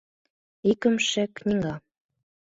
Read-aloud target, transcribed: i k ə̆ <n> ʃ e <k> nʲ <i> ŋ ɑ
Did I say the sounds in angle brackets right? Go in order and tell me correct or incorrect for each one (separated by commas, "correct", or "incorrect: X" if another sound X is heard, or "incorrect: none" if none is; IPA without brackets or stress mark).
incorrect: m, correct, correct